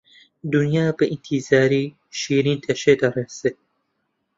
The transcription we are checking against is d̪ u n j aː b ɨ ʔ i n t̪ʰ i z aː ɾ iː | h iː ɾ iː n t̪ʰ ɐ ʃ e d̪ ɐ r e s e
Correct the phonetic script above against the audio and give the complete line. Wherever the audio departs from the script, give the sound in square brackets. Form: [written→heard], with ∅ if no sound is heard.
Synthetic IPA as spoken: d̪ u n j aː b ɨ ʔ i n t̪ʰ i z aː ɾ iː | [h→ʃ] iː ɾ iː n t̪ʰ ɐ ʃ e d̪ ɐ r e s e